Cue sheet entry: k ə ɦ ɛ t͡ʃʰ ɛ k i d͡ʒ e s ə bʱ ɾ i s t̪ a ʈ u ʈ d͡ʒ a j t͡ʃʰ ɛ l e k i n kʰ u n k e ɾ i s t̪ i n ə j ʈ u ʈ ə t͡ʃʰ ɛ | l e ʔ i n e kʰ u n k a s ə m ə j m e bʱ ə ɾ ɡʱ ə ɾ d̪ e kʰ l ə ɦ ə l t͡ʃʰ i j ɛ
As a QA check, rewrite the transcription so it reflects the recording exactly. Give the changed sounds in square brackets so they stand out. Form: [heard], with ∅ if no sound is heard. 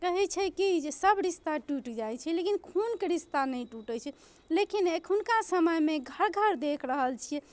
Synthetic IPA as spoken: k ə ɦ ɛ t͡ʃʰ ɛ k i d͡ʒ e s ə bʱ ɾ i s t̪ a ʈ u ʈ d͡ʒ a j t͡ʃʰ ɛ l e k i n kʰ u n k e ɾ i s t̪ [a] n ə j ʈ u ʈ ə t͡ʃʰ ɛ | l e [k] i n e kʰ u n k a s ə m ə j m e [ɡʱ] ə ɾ ɡʱ ə ɾ d̪ e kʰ [ɾ] ə ɦ ə l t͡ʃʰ i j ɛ